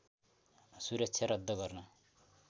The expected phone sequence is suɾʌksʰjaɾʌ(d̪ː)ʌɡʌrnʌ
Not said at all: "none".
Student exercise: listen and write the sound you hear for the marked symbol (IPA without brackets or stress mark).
d̪ː